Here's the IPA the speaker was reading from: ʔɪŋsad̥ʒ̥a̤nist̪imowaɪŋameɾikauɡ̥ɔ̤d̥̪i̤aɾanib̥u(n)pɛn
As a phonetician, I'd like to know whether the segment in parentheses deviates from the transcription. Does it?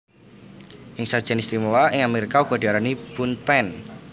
no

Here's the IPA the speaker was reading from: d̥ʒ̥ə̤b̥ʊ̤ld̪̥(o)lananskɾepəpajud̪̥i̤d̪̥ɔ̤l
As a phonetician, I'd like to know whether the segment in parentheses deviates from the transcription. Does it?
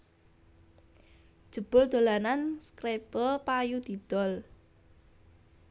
no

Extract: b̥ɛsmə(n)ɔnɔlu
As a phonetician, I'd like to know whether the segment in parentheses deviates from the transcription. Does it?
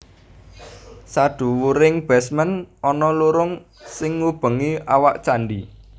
no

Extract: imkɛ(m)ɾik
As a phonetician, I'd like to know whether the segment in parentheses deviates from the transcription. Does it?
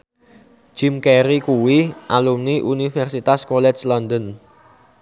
yes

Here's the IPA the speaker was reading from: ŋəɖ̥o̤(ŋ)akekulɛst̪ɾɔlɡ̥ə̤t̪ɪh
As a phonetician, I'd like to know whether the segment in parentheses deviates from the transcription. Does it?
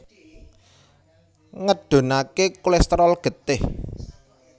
yes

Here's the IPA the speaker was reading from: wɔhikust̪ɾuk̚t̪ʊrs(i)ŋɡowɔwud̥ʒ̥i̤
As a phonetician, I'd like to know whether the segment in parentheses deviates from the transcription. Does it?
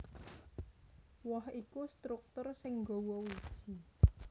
yes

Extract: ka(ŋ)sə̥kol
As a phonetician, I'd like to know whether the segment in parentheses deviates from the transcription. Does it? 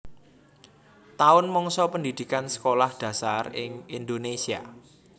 yes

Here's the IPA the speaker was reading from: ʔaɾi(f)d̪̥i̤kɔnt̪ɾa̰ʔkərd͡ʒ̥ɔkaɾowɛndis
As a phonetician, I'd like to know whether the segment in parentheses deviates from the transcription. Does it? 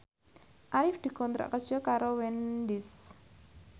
no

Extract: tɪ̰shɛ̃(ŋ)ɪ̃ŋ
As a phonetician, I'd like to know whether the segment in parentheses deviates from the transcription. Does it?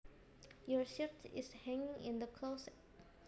no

